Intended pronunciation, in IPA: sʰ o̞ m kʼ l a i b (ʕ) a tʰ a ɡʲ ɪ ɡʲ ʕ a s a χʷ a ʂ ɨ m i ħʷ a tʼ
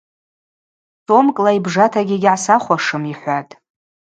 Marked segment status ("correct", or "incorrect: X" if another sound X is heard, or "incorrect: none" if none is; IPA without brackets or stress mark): incorrect: ʐ